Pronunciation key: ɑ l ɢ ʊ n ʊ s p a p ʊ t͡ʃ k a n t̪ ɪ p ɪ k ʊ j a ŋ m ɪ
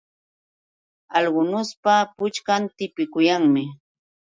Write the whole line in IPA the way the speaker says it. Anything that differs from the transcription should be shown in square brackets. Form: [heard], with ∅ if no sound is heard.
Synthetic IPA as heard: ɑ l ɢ ʊ n ʊ s p a p ʊ t͡ʃ k a n t̪ ɪ p ɪ k ʊ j a ŋ m ɪ

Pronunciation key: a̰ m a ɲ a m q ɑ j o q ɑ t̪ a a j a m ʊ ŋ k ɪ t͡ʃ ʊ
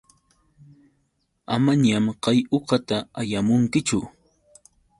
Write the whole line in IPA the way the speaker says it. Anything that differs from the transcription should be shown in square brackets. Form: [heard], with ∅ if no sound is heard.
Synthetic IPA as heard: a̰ m a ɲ a m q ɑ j o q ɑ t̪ a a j a m ʊ ŋ k ɪ t͡ʃ ʊ

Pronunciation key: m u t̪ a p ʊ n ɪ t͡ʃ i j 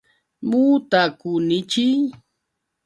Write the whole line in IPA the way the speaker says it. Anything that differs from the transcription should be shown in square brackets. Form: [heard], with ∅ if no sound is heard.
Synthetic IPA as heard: m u t̪ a [k] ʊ n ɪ t͡ʃ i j

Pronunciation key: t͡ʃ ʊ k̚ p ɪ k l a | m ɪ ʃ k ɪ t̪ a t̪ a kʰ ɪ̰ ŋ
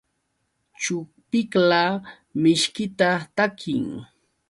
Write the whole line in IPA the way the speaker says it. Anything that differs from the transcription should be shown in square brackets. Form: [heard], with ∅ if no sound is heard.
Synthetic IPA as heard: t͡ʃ ʊ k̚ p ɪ k l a | m ɪ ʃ k ɪ t̪ a t̪ a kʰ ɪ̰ ŋ

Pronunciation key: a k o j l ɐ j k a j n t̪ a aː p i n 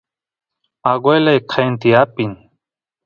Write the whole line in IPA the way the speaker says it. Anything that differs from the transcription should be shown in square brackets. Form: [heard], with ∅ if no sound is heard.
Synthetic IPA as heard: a [ɡ] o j l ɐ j [kʰ] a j n t̪ [i] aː p i n

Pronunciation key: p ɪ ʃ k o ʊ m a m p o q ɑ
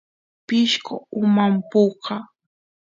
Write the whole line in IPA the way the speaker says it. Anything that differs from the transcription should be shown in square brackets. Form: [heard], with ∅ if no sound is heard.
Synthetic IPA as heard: p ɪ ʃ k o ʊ m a m p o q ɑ

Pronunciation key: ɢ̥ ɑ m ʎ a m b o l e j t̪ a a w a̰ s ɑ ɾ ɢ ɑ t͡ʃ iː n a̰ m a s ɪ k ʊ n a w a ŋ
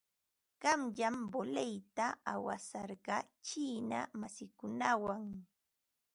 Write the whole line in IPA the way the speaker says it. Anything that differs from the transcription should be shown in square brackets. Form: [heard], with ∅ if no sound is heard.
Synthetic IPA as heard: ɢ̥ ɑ m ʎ a m b o l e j t̪ a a w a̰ s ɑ ɾ ɢ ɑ t͡ʃ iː n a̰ m a s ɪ k ʊ n a w a ŋ

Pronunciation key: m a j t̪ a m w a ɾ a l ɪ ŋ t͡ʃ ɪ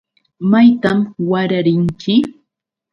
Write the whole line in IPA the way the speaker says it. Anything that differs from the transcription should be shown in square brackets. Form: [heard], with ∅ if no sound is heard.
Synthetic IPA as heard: m a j t̪ a m w a ɾ a [ɾ] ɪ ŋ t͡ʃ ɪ

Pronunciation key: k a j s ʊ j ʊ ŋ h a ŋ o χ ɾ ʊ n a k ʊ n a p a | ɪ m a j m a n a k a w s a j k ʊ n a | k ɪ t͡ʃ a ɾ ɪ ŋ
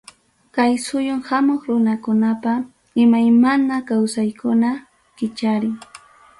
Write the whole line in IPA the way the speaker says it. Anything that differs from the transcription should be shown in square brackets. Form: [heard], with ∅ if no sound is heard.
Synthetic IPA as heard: k a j s ʊ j ʊ ŋ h a [m] o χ ɾ ʊ n a k ʊ n a p a | ɪ m a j m a n a k a w s a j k ʊ n a | k ɪ t͡ʃ a ɾ ɪ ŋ

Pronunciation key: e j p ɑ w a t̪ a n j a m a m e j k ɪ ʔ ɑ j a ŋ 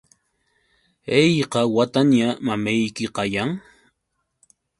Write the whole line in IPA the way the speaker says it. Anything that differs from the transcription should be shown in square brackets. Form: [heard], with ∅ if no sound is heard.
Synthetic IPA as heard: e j [q] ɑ w a t̪ a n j a m a m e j k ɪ [q] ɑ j a ŋ

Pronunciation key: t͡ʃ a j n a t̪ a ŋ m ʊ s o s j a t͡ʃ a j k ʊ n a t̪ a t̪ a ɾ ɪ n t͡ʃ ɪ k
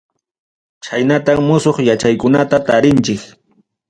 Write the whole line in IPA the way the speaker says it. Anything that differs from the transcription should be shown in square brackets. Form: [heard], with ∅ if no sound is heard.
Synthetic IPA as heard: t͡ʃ a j n a t̪ a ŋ m ʊ s o [χ] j a t͡ʃ a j k ʊ n a t̪ a t̪ a ɾ ɪ n t͡ʃ ɪ k

